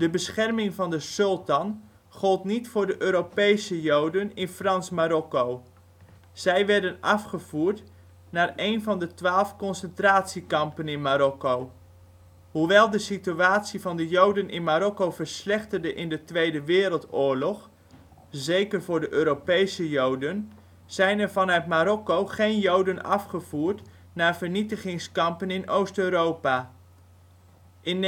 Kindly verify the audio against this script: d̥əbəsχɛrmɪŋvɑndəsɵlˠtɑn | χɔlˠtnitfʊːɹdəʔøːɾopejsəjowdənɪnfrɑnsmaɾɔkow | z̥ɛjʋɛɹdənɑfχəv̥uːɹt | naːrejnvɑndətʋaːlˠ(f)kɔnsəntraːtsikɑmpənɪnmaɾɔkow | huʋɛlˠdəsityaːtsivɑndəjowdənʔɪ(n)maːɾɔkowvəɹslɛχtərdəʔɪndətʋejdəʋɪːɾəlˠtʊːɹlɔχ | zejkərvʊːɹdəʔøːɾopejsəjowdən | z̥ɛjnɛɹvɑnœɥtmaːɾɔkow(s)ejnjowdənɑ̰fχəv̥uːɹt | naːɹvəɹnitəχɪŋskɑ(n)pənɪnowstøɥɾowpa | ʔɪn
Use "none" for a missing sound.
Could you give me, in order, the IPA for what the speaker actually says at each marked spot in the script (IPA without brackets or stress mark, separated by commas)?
f, n, χ, m